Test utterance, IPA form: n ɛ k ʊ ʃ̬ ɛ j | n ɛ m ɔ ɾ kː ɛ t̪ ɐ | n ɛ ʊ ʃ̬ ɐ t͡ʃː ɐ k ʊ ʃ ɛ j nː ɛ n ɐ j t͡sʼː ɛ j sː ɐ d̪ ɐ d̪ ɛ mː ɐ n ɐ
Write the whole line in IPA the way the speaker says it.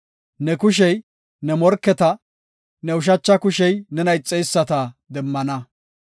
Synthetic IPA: n ɛ k ʊ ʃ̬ ɛ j | n ɛ m ɔ ɾ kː ɛ t̪ ɐ | n ɛ ʊ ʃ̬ ɐ t͡ʃː ɐ k ʊ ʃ ɛ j n ɛ n ɐ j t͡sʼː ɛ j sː ɐ t̪ ɐ d̪ ɛ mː ɐ n ɐ